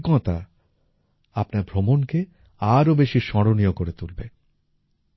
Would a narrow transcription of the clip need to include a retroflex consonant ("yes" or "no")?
no